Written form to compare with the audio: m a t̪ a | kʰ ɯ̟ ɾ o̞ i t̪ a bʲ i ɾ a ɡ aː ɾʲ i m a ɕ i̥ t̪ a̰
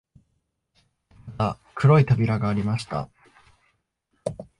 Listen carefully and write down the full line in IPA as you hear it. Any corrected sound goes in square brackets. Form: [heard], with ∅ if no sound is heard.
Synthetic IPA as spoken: m a t̪ a | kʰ ɯ̟ ɾ o̞ i t̪ a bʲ i ɾ a ɡ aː ɾʲ i m a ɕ i̥ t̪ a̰